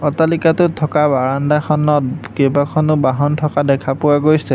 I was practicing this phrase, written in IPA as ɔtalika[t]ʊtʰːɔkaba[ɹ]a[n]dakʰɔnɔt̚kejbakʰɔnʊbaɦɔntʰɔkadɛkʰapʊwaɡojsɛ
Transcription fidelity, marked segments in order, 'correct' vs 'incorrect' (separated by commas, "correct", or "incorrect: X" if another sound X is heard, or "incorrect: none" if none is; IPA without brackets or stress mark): correct, correct, correct